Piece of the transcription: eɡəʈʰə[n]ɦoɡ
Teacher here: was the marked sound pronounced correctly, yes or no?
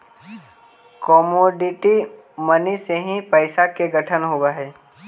yes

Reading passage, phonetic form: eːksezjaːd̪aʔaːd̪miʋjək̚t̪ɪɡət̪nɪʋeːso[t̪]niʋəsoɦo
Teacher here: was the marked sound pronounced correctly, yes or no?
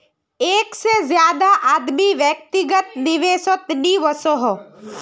yes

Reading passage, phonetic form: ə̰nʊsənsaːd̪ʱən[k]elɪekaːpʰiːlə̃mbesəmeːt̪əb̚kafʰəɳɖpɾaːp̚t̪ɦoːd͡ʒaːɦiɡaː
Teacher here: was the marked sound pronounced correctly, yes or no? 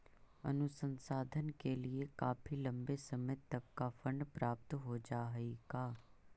yes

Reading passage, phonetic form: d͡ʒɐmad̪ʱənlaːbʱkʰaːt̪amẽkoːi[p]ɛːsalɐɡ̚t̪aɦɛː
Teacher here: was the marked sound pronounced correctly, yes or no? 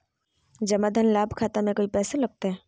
yes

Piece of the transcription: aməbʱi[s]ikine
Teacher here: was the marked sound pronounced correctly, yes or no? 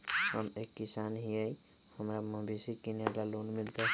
yes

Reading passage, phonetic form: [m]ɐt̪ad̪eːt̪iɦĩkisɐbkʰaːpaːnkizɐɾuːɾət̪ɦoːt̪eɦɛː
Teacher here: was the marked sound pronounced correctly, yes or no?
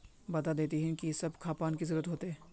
no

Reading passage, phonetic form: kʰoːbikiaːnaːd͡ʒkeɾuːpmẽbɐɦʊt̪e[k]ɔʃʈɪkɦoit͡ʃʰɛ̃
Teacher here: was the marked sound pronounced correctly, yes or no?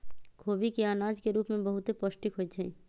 no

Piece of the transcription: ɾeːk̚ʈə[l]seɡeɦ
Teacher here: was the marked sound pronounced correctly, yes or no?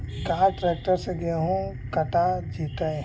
no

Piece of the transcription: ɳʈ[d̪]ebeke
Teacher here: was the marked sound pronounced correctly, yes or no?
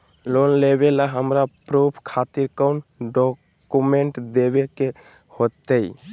yes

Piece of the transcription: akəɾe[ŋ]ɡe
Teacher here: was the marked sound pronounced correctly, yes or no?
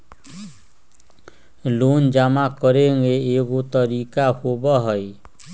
yes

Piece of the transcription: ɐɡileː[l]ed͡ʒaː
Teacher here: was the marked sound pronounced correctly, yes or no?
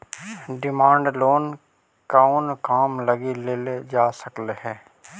yes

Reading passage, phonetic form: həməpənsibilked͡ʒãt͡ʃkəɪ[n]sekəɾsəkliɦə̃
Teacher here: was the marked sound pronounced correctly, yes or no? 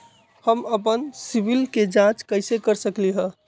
no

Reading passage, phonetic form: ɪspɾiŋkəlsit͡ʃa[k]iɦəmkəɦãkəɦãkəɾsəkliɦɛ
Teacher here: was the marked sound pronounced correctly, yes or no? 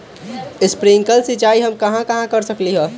no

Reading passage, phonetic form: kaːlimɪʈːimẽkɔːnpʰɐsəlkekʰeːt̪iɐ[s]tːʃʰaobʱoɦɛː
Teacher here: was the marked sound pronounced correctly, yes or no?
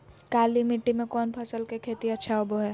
no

